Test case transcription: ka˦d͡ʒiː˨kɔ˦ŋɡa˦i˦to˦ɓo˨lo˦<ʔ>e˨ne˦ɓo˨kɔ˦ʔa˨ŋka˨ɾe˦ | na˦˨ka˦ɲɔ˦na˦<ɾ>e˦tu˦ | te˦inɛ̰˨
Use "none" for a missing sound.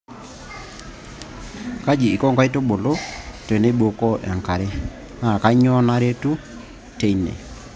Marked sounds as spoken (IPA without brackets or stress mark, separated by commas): t, ɾ